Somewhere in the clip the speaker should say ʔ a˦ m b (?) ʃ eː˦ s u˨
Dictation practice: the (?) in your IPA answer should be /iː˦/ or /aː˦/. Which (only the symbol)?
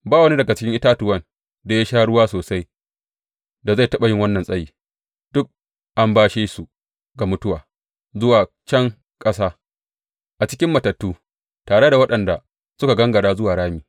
aː˦